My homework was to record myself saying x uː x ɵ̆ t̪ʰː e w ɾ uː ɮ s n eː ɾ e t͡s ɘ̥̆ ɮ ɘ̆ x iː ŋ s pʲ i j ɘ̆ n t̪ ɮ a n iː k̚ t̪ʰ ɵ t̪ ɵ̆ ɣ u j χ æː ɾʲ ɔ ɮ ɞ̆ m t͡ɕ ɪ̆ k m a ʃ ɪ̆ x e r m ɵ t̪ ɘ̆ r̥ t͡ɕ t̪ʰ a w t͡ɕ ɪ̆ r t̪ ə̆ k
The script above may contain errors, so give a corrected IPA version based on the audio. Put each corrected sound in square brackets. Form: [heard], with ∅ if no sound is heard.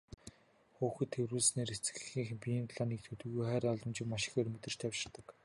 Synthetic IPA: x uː x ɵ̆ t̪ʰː e w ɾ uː ɮ s n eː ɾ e t͡s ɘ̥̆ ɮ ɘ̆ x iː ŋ [x] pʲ i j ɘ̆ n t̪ ɮ a n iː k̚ t̪ʰ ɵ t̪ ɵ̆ ɣ u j χ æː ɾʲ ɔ ɮ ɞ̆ m t͡ɕ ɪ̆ k m a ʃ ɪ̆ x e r m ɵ t̪ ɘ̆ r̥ t͡ɕ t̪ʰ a w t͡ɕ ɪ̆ r t̪ ə̆ k